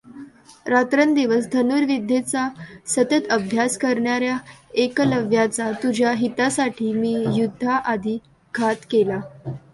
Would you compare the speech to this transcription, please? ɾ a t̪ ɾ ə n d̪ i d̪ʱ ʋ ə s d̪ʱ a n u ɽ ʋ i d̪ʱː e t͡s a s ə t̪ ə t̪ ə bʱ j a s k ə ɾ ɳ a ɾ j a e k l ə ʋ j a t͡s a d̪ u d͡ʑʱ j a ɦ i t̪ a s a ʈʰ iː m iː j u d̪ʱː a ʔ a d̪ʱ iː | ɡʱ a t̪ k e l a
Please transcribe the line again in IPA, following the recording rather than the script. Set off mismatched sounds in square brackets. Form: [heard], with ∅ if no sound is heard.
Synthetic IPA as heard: ɾ a t̪ ɾ ə n d̪ i [∅] ʋ ə s d̪ʱ [ə] n u [ɾ] ʋ i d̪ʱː e t͡s a s ə t̪ ə t̪ ə bʱ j a s k ə ɾ ɳ a ɾ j a e k l ə ʋ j a t͡s a [t̪] u d͡ʑʱ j a ɦ i t̪ a s a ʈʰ iː m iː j u d̪ʱː a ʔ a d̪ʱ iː | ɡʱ a t̪ k e l a